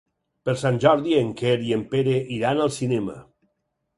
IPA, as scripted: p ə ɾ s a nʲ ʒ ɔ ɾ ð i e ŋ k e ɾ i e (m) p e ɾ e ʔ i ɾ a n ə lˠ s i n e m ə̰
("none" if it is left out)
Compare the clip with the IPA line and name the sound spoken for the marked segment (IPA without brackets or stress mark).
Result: m